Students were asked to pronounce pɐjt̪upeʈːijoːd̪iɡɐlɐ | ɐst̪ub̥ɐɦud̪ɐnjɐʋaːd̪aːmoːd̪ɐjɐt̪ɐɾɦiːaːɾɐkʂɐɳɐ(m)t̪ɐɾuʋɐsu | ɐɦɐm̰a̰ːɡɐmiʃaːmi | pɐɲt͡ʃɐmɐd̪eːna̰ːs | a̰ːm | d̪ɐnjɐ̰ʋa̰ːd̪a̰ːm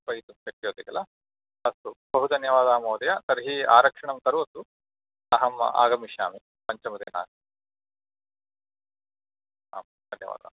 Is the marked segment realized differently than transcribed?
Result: no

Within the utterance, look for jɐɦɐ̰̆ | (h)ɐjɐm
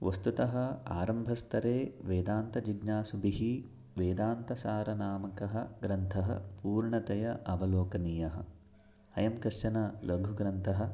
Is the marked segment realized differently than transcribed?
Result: no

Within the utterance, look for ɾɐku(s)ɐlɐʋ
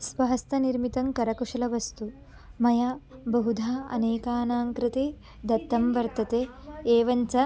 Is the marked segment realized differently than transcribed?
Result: yes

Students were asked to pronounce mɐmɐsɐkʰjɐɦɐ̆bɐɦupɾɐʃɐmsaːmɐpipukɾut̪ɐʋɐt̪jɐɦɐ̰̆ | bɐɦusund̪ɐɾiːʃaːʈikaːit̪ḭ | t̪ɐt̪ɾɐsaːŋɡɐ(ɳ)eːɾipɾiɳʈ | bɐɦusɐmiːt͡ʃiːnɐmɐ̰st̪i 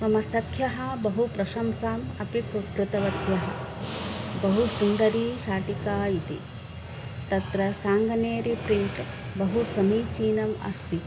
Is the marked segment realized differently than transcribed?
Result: yes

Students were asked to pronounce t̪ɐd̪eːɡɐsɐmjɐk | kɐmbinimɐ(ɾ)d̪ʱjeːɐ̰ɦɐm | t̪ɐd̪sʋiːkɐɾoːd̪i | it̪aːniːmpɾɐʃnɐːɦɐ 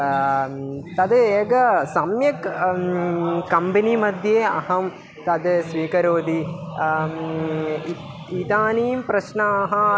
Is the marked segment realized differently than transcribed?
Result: yes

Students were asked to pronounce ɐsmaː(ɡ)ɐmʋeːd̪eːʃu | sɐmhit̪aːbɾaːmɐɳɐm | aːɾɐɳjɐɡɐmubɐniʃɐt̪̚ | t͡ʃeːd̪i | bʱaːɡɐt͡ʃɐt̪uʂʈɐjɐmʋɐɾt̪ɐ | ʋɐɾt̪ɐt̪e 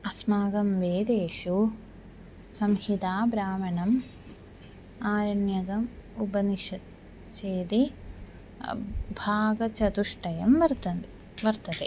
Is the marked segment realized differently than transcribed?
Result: no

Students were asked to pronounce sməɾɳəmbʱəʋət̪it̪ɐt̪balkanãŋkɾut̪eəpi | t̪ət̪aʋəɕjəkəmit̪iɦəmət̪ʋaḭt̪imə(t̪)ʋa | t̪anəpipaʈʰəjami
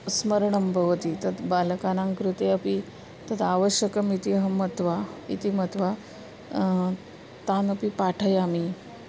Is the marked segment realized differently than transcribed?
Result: no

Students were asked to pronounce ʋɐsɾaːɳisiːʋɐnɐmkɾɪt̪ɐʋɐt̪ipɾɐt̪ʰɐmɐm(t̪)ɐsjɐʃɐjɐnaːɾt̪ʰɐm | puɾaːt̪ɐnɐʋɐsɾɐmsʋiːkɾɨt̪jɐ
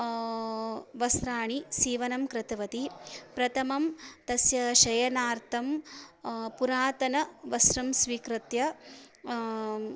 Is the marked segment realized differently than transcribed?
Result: no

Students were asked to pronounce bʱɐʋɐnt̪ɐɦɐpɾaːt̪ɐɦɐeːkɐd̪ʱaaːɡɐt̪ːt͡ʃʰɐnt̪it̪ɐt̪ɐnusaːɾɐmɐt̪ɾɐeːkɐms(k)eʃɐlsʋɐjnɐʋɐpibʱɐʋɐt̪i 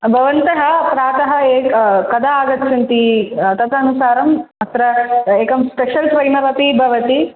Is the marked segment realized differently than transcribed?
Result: yes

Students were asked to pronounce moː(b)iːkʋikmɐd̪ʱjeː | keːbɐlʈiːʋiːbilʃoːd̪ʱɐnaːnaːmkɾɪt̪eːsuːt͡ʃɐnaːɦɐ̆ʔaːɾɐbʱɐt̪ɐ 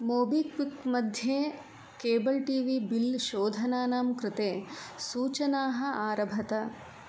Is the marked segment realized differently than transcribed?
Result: no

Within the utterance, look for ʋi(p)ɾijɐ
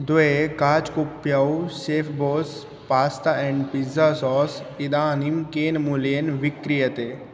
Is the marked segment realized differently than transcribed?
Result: yes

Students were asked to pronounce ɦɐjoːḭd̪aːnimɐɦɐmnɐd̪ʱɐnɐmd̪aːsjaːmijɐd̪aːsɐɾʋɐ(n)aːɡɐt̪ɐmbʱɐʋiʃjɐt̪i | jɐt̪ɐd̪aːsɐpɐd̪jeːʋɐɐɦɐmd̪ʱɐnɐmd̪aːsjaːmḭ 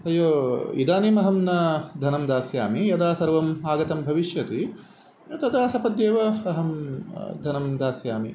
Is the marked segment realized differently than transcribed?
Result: yes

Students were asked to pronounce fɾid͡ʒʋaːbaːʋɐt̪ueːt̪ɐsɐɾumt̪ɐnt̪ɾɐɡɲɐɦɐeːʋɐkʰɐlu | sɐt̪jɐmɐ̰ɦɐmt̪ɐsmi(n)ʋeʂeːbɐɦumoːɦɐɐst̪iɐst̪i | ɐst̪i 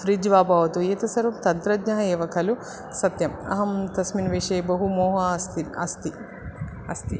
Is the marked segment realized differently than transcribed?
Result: no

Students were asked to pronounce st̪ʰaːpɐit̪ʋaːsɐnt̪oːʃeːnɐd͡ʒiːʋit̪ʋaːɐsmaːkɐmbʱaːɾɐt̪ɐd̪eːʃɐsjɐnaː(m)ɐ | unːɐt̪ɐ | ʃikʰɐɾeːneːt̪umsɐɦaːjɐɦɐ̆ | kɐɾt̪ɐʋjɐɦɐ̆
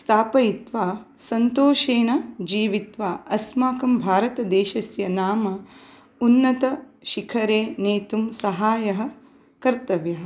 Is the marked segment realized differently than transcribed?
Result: no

